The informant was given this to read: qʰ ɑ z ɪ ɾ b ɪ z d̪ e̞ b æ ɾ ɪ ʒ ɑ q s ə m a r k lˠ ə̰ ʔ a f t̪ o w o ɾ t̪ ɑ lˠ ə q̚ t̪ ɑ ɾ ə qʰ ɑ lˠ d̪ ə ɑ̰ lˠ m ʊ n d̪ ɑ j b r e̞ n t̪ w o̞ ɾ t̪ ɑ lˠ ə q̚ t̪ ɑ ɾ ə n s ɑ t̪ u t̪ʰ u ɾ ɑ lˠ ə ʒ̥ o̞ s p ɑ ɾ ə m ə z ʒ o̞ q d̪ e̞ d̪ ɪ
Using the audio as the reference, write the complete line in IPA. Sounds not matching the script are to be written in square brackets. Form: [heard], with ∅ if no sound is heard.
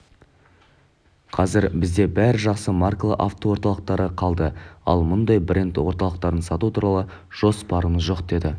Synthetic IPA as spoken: qʰ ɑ z ɪ ɾ b ɪ z d̪ e̞ b æ ɾ ɪ ʒ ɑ q s ə m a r k lˠ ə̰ ʔ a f t̪ o w o ɾ t̪ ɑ lˠ ə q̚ t̪ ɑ ɾ ə qʰ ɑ lˠ d̪ ə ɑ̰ lˠ m ʊ n d̪ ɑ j b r e̞ n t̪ w o̞ ɾ t̪ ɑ lˠ ə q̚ t̪ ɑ ɾ ə n s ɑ t̪ u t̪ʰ u ɾ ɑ lˠ ə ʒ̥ o̞ s p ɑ ɾ ə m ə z ʒ o̞ q d̪ e̞ d̪ ɪ